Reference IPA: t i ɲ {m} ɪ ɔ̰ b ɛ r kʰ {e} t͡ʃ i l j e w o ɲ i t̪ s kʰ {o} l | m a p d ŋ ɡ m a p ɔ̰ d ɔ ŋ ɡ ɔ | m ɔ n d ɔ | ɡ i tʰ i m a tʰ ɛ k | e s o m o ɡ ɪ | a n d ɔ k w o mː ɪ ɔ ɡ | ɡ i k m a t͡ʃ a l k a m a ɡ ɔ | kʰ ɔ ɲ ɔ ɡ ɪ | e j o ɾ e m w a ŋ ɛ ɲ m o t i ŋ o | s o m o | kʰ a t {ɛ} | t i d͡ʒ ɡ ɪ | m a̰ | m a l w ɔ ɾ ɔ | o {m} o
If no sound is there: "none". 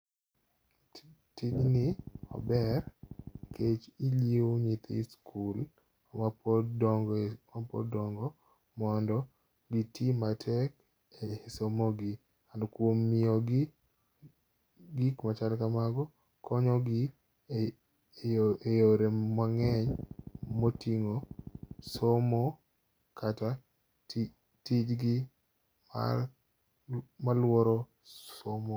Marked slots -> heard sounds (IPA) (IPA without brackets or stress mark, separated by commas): n, e, u, a, m